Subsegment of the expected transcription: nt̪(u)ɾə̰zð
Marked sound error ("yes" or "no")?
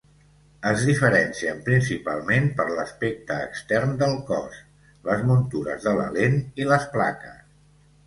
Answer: no